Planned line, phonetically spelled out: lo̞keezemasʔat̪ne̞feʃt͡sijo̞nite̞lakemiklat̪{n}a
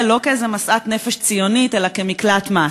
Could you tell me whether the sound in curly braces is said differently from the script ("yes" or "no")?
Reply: yes